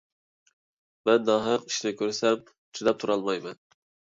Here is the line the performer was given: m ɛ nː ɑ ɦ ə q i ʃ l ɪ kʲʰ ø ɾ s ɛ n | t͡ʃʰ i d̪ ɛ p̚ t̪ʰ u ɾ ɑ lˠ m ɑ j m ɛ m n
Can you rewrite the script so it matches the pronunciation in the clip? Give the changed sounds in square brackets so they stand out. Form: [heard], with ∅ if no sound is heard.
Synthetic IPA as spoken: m ɛ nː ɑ ɦ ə q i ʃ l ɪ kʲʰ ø ɾ s ɛ [m] | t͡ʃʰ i d̪ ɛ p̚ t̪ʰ u ɾ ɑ lˠ m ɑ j m ɛ [∅] n

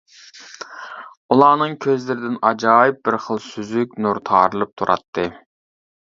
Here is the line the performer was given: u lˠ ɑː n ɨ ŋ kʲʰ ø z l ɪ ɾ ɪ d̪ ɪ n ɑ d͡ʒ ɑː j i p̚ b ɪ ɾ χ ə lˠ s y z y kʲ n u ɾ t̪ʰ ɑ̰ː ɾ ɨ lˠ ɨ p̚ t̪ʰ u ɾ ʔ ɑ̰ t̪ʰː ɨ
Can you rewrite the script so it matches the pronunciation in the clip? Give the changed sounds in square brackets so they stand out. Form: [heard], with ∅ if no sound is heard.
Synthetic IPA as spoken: u lˠ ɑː n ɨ ŋ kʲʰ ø z l ɪ ɾ ɪ d̪ ɪ n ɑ d͡ʒ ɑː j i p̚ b ɪ ɾ χ ə lˠ s y z y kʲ n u ɾ t̪ʰ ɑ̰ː ɾ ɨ lˠ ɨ p̚ t̪ʰ u ɾ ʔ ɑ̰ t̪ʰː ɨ

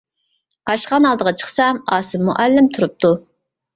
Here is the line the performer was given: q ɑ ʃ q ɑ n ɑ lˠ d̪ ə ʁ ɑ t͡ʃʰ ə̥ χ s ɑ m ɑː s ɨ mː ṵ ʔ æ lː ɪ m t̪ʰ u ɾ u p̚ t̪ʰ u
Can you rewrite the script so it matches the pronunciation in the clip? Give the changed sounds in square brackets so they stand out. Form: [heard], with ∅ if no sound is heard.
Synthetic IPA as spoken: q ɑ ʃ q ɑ n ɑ lˠ d̪ ə ʁ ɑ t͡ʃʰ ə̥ χ s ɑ m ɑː s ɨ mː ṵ ʔ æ lː ɪ m t̪ʰ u ɾ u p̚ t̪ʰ u

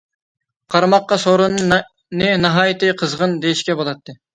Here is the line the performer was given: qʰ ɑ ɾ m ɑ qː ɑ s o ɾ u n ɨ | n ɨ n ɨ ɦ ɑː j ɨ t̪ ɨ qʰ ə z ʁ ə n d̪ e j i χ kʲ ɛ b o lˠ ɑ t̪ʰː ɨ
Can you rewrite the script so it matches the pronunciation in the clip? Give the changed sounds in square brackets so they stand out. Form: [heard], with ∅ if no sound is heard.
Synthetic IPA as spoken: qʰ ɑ ɾ m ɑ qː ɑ s o ɾ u n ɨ | n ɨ n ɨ ɦ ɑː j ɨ t̪ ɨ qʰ ə z ʁ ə n d̪ e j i [ʃ] kʲ ɛ b o lˠ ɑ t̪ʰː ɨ

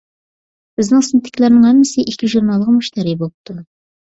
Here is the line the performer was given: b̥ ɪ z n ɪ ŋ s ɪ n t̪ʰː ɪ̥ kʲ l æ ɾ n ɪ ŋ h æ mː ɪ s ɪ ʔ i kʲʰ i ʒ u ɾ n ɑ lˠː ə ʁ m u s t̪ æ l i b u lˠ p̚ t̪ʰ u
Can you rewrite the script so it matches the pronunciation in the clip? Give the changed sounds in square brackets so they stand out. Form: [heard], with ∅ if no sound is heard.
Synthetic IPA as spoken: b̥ ɪ z n ɪ ŋ s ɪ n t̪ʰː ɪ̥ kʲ l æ ɾ n ɪ ŋ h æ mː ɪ s ɪ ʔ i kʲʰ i ʒ u ɾ n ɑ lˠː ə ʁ m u [ʃ] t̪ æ [ɾ] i b [o] lˠ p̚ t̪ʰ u

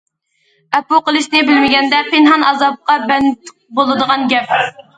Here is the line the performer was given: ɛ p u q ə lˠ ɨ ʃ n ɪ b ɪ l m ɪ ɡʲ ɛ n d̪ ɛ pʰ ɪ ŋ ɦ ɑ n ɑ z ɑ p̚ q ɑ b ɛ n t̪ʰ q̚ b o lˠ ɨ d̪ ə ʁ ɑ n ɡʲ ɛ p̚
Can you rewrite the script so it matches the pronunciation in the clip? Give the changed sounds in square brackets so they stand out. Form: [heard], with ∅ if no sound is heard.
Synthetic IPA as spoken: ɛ p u q ə lˠ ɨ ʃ n ɪ b ɪ l m ɪ ɡʲ ɛ n d̪ ɛ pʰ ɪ [n] ɦ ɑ n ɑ z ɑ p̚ q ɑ b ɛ n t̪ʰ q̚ b o lˠ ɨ d̪ ə ʁ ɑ n ɡʲ ɛ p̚

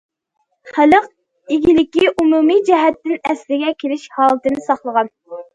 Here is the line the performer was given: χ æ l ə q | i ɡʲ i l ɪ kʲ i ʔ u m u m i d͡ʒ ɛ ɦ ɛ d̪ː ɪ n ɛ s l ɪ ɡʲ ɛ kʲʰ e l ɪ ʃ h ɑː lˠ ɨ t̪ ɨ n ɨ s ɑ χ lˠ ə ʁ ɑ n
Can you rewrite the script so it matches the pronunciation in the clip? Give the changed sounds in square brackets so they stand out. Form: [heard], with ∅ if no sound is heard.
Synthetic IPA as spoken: χ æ l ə q | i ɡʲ i l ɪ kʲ i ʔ u m u m i d͡ʒ ɛ ɦ ɛ [t̪ː] ɪ n ɛ s l ɪ ɡʲ ɛ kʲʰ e l ɪ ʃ h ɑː lˠ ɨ t̪ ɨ n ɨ s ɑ χ lˠ ə ʁ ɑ n

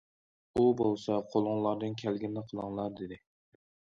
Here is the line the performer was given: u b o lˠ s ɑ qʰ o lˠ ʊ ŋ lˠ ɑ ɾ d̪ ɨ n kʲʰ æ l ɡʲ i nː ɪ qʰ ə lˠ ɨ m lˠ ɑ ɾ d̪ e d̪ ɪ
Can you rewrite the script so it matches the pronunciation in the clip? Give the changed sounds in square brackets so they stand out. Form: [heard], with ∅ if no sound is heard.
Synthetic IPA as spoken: u b o lˠ s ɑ qʰ o lˠ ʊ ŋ lˠ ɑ ɾ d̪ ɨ n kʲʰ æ l ɡʲ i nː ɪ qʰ ə lˠ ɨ [ŋ] lˠ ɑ ɾ d̪ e d̪ ɪ

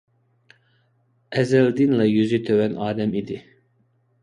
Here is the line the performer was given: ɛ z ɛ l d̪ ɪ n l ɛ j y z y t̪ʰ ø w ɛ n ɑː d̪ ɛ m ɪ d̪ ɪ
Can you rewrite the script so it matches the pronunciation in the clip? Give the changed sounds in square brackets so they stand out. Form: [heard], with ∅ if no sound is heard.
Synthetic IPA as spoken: ɛ z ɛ l d̪ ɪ n l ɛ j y z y t̪ʰ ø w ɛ n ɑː d̪ ɛ m [i] d̪ ɪ

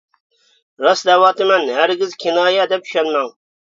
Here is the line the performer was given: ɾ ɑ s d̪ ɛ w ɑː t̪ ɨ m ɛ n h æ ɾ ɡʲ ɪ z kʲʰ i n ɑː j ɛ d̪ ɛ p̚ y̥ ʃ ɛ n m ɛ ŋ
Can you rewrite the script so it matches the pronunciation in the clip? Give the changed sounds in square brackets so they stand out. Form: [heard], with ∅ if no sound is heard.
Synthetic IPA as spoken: ɾ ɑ s d̪ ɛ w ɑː t̪ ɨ m ɛ n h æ ɾ ɡʲ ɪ z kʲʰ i n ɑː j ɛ d̪ ɛ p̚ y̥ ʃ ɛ n m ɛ ŋ

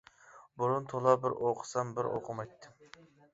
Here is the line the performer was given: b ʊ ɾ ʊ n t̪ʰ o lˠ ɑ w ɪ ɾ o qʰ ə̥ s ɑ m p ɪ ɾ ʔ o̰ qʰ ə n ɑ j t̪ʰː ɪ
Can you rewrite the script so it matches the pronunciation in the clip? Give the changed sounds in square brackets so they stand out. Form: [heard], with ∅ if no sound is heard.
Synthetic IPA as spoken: b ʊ ɾ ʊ n t̪ʰ o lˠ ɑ [b] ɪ ɾ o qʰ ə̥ s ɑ m [b] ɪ ɾ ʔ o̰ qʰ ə [m] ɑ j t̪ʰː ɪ

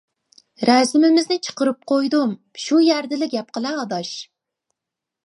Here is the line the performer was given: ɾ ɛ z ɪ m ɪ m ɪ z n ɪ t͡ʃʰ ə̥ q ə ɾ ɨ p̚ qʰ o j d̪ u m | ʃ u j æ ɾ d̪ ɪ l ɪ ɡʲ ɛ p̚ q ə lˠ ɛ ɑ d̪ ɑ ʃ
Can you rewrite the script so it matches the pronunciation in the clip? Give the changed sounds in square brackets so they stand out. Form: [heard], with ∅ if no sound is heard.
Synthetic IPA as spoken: ɾ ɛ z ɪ m ɪ m ɪ z n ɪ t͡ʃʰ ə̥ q ə ɾ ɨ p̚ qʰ o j d̪ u m | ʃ u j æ ɾ d̪ ɪ l ɪ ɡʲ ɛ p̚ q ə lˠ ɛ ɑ d̪ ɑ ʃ

